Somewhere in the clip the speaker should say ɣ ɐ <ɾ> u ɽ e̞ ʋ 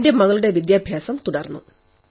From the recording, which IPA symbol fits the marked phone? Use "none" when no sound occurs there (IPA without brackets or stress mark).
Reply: ɭ